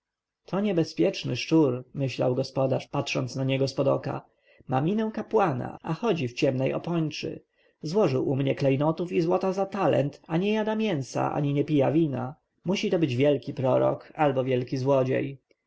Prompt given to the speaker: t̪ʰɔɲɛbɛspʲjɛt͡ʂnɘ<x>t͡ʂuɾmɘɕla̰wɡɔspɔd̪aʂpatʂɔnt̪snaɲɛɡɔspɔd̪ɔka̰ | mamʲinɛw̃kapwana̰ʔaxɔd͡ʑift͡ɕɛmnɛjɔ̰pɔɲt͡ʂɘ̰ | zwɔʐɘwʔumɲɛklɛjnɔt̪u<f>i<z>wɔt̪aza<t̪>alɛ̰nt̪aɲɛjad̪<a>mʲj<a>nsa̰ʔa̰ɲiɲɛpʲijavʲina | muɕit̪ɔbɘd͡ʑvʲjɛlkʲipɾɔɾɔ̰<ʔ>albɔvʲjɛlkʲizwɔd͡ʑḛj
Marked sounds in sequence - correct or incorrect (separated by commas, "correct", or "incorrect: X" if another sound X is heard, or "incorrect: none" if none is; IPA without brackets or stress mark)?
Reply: incorrect: ʂ, correct, correct, correct, correct, incorrect: ɛ, incorrect: k